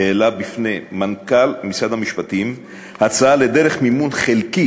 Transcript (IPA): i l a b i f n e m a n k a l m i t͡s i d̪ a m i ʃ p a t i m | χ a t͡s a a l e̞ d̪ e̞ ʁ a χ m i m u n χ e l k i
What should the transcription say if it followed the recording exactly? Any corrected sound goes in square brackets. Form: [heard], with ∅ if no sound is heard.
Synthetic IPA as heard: [e] l a b i f n e m a n k a l m i t͡s [a] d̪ a m i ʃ p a t i m | [h] a t͡s a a l e̞ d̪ e̞ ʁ [e] χ m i m u n χ e l k i